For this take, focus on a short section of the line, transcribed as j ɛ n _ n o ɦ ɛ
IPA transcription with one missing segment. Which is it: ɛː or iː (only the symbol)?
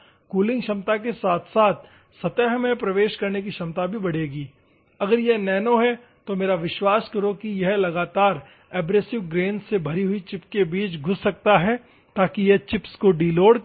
ɛː